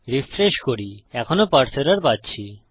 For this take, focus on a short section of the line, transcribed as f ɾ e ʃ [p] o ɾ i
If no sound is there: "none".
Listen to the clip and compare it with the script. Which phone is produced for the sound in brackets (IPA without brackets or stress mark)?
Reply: k